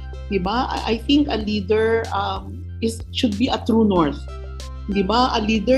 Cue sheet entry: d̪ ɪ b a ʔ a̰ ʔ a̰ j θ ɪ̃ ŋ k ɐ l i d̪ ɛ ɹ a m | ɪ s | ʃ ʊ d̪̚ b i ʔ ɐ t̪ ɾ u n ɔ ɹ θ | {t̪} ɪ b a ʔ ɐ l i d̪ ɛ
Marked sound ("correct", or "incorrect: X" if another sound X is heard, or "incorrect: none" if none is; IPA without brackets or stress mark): incorrect: d̪